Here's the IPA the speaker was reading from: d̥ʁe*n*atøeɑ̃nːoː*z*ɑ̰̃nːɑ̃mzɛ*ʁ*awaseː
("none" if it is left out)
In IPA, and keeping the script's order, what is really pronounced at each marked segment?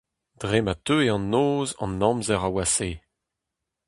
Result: m, z, ʁ

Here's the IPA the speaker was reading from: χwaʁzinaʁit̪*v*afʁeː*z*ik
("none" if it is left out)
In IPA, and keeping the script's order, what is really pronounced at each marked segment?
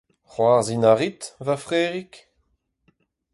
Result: v, ʁ

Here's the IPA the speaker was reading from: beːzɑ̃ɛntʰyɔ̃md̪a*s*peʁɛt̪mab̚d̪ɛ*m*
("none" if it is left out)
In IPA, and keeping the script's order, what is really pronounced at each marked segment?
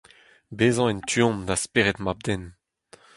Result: s, n

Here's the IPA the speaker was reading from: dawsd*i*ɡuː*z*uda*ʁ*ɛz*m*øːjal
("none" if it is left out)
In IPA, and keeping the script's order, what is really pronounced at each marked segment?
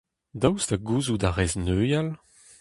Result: a, z, ʁ, n

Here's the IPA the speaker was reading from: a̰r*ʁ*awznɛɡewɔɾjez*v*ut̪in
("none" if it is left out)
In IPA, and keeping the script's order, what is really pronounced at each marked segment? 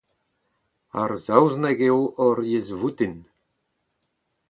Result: z, v

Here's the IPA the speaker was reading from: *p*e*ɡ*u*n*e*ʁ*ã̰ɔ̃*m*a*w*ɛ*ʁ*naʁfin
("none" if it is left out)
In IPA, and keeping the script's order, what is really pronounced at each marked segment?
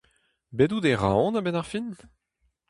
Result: b, d, d, ʁ, n, b, none

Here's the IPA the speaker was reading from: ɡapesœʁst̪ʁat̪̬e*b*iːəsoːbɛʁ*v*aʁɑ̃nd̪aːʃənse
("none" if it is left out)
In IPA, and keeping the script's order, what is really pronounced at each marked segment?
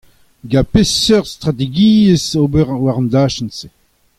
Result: ɡ, w

